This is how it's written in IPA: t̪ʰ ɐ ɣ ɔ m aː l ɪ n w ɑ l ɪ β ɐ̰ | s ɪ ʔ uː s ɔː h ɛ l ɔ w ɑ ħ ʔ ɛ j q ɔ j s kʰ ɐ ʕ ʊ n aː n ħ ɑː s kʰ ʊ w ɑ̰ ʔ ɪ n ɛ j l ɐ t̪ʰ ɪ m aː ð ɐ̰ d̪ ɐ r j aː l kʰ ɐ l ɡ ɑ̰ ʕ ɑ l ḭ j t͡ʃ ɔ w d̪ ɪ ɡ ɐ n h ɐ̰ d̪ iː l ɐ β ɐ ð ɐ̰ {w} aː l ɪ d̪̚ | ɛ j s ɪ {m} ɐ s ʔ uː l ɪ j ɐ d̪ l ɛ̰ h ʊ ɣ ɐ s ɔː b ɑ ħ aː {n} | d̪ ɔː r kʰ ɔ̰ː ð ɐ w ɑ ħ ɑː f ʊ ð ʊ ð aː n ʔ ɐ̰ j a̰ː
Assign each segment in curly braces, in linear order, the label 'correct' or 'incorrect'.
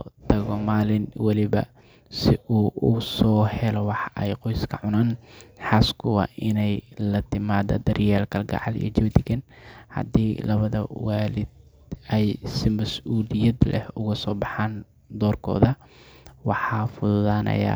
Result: correct, correct, correct

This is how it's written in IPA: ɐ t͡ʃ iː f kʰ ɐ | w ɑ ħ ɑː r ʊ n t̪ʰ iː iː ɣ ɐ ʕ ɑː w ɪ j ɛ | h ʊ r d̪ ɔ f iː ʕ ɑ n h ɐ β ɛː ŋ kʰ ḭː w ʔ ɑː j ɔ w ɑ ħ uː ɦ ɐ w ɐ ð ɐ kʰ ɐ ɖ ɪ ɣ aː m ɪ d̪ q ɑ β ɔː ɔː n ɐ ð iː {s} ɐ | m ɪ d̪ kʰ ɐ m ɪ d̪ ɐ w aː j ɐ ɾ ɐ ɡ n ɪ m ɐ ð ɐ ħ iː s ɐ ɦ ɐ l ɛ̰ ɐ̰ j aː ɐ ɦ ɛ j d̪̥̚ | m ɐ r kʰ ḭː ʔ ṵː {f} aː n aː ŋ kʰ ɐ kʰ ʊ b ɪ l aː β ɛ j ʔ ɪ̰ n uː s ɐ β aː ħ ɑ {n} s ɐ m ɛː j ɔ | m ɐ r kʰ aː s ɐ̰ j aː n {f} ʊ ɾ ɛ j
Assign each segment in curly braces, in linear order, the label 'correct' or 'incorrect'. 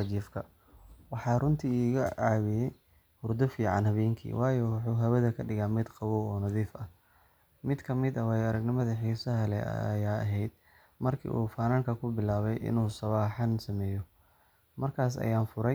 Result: incorrect: f, correct, correct, correct

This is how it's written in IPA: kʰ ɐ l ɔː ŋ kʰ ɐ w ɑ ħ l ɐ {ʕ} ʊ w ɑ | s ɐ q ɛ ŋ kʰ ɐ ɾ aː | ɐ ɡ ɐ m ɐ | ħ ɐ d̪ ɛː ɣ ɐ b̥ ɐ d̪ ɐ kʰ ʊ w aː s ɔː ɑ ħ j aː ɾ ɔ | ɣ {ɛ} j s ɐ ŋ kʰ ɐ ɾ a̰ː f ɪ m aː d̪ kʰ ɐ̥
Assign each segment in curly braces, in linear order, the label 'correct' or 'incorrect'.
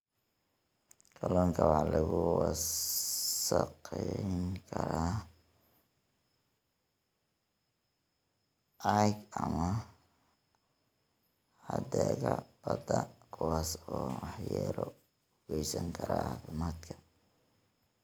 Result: incorrect: ɣ, correct

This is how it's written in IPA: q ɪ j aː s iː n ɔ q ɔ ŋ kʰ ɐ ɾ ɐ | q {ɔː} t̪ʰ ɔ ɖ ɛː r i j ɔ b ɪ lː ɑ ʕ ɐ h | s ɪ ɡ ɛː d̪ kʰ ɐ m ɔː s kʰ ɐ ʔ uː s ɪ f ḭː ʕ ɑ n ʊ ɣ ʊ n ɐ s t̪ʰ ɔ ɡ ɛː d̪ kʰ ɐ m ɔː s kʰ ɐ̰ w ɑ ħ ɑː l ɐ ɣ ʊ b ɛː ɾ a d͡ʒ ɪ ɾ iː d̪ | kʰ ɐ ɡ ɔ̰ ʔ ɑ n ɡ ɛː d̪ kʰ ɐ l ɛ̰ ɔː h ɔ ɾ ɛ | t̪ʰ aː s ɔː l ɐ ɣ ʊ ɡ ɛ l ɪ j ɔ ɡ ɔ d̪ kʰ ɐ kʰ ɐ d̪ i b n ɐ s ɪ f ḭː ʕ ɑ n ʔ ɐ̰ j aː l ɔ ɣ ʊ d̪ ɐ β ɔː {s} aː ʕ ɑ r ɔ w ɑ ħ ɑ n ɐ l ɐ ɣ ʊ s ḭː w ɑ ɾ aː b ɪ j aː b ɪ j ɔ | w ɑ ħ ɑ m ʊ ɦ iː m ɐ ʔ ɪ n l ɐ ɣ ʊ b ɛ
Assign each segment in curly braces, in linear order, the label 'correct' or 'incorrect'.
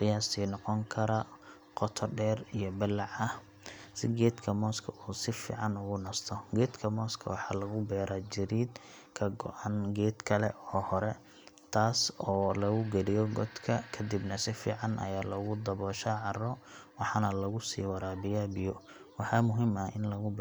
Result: incorrect: ɔ, incorrect: ʃ

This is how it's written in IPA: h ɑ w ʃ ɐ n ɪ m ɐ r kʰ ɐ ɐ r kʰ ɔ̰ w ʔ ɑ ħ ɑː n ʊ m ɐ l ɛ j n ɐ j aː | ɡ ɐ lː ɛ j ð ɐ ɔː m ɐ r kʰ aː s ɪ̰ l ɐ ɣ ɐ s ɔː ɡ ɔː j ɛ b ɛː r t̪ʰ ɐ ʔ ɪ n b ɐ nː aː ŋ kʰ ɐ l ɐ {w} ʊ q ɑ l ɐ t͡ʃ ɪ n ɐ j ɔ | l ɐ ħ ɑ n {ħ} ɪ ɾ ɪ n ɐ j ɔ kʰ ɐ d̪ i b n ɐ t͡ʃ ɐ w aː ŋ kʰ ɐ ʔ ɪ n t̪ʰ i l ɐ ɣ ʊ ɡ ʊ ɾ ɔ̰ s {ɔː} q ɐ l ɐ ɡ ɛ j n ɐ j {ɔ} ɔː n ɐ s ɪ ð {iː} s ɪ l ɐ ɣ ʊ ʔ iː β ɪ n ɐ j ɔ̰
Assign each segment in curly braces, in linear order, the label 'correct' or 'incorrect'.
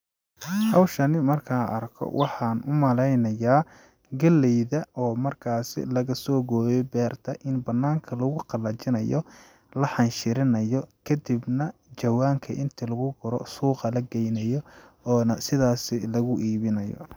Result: incorrect: ɣ, incorrect: ʃ, incorrect: uː, correct, incorrect: aː

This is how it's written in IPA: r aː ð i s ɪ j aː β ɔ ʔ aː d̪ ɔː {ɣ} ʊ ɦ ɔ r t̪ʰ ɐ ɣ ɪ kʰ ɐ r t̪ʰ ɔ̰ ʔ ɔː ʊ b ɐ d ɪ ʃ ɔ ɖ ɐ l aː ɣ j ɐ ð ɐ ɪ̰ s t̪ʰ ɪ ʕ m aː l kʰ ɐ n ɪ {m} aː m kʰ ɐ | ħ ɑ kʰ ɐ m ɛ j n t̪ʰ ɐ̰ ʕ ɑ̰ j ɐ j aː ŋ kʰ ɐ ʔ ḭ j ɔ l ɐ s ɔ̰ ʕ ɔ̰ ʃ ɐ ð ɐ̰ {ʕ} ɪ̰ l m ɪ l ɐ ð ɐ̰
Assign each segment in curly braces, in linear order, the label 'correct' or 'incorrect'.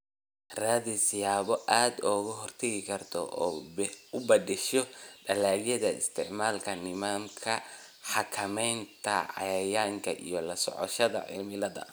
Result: correct, correct, correct

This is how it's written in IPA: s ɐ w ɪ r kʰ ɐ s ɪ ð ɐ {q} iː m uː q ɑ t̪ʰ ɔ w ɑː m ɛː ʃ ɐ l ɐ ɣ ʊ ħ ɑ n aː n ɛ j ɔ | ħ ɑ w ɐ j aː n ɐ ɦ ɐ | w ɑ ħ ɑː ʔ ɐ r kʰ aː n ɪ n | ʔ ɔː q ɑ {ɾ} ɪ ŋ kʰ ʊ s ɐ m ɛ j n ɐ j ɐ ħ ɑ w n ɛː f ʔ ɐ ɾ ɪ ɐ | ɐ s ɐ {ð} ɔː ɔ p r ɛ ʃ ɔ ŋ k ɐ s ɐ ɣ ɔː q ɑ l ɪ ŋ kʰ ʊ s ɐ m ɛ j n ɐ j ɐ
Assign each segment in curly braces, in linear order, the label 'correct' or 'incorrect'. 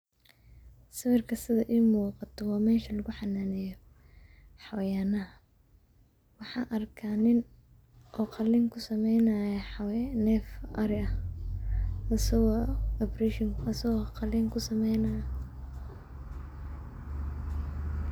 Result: incorrect: ʔ, incorrect: l, incorrect: ɣ

